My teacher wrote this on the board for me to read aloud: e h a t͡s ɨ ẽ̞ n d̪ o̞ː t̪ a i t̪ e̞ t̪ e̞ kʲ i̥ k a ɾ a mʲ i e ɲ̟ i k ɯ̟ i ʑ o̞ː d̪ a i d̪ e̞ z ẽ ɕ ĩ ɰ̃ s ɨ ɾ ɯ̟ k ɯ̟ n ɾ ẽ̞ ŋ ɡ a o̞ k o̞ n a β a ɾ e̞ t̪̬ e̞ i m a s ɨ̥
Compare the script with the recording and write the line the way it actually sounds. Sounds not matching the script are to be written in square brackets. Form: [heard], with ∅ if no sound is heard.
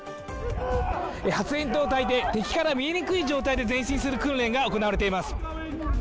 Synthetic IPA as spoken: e h a t͡s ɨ ẽ̞ n [t̪] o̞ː t̪ a i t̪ e̞ t̪ e̞ kʲ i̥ k a ɾ a mʲ i e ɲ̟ i k ɯ̟ i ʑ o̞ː [t̪] a i d̪ e̞ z ẽ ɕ ĩ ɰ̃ s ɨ ɾ ɯ̟ k [ɯ̟̃] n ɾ ẽ̞ ŋ ɡ a o̞ k o̞ n a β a ɾ e̞ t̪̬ e̞ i m a s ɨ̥

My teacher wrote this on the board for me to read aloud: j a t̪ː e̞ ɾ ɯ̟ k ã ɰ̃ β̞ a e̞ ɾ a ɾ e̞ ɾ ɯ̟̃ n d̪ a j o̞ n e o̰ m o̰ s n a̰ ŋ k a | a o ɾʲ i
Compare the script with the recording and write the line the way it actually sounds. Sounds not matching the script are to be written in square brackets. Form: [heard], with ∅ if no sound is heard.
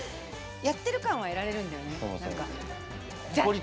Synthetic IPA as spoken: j a t̪ː e̞ ɾ ɯ̟ k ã ɰ̃ β̞ a e̞ ɾ a ɾ e̞ ɾ ɯ̟̃ n d̪ a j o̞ n e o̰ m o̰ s n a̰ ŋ k a | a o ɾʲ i

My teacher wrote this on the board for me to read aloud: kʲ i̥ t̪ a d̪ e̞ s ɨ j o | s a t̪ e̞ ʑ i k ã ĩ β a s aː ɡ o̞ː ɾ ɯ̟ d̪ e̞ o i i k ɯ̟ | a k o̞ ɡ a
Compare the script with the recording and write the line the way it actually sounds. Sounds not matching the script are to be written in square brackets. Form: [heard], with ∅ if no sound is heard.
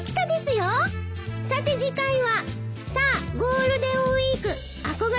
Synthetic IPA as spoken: kʲ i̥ t̪ a d̪ e̞ s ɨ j o | s a t̪ e̞ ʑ i k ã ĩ β a s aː ɡ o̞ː ɾ ɯ̟ d̪ e̞ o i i k ɯ̟ | a k o̞ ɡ a

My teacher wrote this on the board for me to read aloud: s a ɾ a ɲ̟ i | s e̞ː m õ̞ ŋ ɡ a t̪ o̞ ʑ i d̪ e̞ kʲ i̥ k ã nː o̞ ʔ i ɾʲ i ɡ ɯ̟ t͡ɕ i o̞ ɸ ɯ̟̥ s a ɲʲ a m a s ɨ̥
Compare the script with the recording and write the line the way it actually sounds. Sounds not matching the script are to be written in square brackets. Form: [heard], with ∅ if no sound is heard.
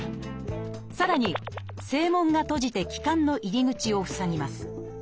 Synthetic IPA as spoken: s a ɾ a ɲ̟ i | s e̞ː m õ̞ ŋ ɡ a t̪ o̞ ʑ i [t̪] e̞ kʲ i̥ k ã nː o̞ ʔ i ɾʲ i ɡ ɯ̟ t͡ɕ i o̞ ɸ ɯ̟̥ s a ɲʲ [i] m a s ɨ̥

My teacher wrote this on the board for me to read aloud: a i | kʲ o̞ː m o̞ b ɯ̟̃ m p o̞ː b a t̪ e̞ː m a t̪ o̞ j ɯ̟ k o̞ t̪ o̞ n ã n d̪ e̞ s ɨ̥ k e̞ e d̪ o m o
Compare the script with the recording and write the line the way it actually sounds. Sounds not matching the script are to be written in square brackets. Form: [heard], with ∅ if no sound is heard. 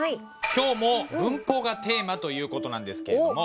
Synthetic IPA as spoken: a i | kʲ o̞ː m o̞ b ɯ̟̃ m p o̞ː [ɡ] a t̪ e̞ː m a t̪ o̞ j [ɯ̟ː] k o̞ t̪ o̞ n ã n d̪ e̞ s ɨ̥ k e̞ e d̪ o m o

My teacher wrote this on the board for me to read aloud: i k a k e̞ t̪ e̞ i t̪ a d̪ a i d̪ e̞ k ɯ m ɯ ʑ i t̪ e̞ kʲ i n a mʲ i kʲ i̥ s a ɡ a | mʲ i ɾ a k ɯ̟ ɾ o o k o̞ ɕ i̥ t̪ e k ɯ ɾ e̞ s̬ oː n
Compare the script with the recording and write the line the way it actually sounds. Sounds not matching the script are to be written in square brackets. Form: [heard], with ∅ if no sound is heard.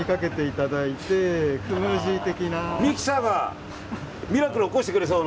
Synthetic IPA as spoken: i k a k e̞ t̪ e̞ i t̪ a d̪ a i [t̪] e̞ k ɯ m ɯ ʑ i t̪ e̞ kʲ i n a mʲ i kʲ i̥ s a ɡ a | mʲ i ɾ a k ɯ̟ ɾ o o k o̞ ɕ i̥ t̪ e k ɯ ɾ e̞ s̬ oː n

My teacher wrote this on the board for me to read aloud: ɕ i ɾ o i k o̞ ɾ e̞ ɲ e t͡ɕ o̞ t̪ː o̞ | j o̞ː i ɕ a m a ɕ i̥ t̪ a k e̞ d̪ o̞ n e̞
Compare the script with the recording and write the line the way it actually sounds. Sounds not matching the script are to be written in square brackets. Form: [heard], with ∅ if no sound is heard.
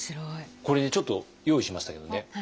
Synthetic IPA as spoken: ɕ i ɾ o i k o̞ ɾ e̞ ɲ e t͡ɕ o̞ t̪ː o̞ | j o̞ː i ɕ [i] m a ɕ i̥ t̪ a k e̞ d̪ o̞ n e̞

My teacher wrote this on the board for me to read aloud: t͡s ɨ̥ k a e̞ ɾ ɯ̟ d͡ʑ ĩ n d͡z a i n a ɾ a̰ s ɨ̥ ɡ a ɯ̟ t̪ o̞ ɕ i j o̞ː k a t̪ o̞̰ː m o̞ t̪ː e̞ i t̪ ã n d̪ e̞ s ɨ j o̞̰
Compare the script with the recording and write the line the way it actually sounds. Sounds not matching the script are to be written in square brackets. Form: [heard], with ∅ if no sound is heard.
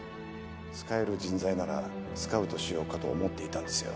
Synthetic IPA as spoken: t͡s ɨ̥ k a e̞ ɾ ɯ̟ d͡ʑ ĩ n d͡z a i n a ɾ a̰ s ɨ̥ [k] a ɯ̟ t̪ o̞ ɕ i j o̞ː k a t̪ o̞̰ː m o̞ t̪ː e̞ i t̪ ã n d̪ e̞ s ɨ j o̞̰

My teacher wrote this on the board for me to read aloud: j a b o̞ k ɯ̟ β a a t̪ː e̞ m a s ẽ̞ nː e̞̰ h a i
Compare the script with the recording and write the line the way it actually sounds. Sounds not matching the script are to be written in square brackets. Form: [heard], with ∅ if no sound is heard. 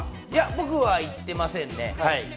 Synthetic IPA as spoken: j a b o̞ k ɯ̟ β a [i] t̪ː e̞ m a s ẽ̞ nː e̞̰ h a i

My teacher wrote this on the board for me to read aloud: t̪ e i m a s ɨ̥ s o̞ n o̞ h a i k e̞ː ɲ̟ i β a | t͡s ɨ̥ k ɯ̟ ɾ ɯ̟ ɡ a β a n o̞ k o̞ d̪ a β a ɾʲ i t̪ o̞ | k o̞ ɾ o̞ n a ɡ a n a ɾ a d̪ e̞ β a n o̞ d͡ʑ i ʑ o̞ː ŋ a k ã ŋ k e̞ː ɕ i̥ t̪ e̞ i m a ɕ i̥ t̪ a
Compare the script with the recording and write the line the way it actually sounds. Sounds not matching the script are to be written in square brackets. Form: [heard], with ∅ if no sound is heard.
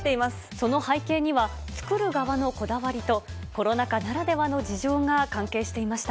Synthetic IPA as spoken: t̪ e i m a s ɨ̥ s o̞ n o̞ h a i k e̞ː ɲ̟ i β a | t͡s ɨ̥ k ɯ̟ ɾ ɯ̟ ɡ a β a n o̞ k o̞ d̪ a β a ɾʲ i t̪ o̞ | k o̞ ɾ o̞ n a [k] a n a ɾ a d̪ e̞ β a n o̞ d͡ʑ i ʑ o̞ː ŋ a k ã ŋ k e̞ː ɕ i̥ t̪ e̞ i m a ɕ i̥ t̪ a

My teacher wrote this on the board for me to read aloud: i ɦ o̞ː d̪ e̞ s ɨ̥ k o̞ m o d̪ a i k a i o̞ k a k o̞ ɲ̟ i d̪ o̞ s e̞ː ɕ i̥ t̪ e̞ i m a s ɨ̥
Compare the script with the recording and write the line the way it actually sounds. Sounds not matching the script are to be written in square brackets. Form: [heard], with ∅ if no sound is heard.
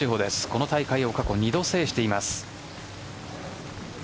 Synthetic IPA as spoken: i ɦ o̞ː d̪ e̞ s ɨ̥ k o̞ [n] o [t̪] a i k a i o̞ k a k o̞ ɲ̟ i d̪ o̞ s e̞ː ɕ i̥ t̪ e̞ i m a s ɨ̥

